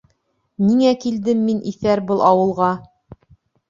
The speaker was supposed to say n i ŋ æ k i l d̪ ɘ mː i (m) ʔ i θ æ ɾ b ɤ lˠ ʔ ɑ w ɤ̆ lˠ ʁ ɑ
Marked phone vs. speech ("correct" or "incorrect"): incorrect